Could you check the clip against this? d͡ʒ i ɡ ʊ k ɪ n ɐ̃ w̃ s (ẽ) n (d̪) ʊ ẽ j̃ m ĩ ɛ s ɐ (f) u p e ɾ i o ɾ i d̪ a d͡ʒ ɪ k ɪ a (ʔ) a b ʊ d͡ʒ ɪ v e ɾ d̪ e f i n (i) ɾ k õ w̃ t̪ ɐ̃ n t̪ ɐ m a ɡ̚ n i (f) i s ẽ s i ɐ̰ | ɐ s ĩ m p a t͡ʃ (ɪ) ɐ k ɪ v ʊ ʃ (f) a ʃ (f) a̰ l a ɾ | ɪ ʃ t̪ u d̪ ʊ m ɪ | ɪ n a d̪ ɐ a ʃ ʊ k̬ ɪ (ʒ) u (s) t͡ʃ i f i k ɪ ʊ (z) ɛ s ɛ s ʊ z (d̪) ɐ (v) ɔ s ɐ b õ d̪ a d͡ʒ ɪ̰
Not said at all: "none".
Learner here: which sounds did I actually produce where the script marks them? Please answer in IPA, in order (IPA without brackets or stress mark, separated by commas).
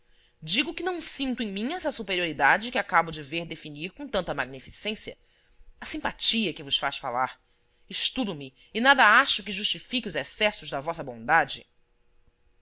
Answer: ĩ, t̪, s, k, i, f, i, f, f, ʒ, ʃ, z, d̪, v